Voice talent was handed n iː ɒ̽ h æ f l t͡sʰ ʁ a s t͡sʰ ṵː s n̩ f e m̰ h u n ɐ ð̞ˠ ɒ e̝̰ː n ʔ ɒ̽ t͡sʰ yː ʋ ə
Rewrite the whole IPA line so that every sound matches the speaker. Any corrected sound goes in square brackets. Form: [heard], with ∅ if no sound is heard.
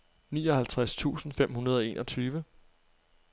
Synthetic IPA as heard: n iː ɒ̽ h æ [∅] l t͡sʰ ʁ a s t͡sʰ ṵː s n̩ f e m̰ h u n ɐ ð̞ˠ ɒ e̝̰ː n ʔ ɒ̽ t͡sʰ yː ʋ ə